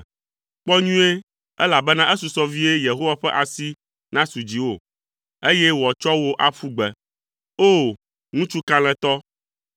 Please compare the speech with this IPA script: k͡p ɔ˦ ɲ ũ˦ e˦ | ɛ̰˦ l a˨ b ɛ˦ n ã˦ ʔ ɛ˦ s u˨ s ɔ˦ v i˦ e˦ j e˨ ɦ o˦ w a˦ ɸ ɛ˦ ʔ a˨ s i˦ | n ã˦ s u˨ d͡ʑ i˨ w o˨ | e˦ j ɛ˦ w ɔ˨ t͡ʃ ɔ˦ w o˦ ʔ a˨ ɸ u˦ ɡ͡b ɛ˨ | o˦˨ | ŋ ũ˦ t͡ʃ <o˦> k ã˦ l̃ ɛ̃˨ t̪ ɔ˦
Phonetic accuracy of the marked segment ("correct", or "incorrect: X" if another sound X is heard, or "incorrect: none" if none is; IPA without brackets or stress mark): incorrect: u˦